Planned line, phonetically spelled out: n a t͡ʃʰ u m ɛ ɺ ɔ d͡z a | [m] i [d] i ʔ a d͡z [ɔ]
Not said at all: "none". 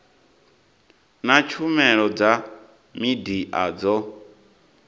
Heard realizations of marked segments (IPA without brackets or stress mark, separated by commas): m, d, ɔ